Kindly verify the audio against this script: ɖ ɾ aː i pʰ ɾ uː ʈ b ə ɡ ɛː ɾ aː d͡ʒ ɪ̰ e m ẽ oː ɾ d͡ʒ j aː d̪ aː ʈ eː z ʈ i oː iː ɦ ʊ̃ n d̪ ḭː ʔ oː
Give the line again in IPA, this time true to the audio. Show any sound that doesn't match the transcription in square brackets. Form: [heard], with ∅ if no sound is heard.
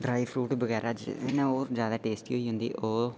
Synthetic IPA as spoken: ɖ ɾ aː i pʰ ɾ uː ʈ b ə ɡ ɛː ɾ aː d͡ʒ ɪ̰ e [n] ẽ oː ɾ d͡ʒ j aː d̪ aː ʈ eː [s] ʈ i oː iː ɦ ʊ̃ n d̪ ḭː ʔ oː